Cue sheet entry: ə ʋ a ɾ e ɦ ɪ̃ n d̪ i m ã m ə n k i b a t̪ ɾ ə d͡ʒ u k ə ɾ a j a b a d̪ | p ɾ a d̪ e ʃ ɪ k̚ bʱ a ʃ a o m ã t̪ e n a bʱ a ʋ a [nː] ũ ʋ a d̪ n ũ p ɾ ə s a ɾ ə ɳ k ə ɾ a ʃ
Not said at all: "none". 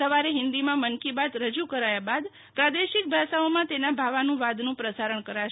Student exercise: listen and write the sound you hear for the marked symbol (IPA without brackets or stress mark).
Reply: n